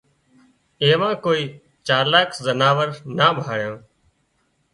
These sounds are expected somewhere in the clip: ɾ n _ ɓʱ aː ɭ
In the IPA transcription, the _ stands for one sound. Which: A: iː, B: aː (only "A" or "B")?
B